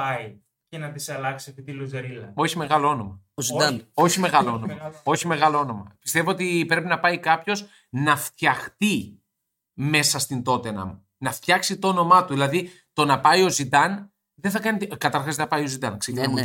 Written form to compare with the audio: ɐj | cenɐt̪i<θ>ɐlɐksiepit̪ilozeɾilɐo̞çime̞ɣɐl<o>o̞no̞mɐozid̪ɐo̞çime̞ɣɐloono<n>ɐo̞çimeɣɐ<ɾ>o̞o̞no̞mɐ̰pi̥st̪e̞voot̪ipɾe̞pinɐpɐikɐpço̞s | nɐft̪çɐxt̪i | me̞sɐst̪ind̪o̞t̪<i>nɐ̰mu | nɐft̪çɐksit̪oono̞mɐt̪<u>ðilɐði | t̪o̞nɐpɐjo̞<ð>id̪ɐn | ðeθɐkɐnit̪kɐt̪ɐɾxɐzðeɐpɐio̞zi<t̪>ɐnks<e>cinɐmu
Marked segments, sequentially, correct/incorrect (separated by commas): incorrect, correct, incorrect, incorrect, incorrect, correct, incorrect, incorrect, correct